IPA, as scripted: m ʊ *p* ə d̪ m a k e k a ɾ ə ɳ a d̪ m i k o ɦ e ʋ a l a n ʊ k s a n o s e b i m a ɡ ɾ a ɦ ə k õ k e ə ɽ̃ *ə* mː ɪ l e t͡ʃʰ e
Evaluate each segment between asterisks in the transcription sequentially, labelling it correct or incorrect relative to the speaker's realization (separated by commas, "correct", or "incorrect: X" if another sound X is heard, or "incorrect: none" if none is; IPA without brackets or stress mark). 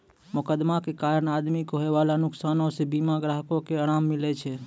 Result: incorrect: k, incorrect: a